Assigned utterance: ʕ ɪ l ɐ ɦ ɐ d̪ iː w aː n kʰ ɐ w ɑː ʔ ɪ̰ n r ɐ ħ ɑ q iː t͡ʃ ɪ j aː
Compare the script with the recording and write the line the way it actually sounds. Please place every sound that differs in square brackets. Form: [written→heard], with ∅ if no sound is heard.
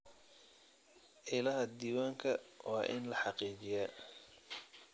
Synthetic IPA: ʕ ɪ l ɐ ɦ ɐ d̪ iː w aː [n→ŋ] kʰ ɐ w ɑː ʔ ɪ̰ n [r→l] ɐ ħ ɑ q iː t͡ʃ ɪ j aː